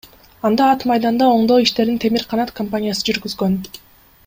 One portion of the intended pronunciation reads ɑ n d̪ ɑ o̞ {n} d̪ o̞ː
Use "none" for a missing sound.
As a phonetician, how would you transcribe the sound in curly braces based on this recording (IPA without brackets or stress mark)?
ɴ